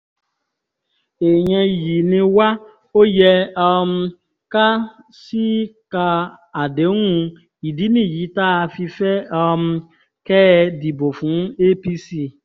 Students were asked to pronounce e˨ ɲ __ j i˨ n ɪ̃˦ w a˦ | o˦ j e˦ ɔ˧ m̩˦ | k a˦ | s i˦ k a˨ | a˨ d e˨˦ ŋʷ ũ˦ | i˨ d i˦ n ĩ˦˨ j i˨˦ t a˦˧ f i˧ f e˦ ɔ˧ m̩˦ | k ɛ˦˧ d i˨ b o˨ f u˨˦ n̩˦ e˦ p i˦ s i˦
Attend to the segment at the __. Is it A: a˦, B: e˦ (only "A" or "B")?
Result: B